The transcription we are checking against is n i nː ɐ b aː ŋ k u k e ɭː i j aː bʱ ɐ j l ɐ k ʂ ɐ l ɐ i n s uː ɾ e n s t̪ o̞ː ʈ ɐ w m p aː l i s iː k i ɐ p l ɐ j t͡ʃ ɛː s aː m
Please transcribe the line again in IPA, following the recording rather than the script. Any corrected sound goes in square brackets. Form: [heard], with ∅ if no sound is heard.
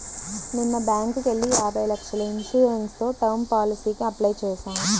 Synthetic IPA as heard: n i nː ɐ b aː ŋ k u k e ɭː i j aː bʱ ɐ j l ɐ k ʂ ɐ l ɐ i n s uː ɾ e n s t̪ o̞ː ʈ ɐ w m p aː l i s iː k i ɐ p l ɐ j t͡ʃ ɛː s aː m